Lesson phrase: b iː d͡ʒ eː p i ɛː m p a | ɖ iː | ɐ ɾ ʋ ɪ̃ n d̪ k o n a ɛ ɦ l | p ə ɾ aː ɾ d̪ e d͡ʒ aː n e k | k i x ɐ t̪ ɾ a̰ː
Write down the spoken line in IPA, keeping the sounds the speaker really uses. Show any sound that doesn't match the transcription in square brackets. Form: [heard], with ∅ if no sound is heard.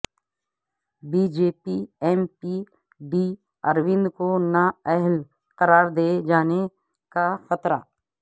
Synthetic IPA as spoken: b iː d͡ʒ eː p i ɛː m p [i] | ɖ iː | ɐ ɾ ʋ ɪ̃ n d̪ k o n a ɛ ɦ l | [q] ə ɾ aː ɾ d̪ e d͡ʒ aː n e [∅] | k [a] x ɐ t̪ ɾ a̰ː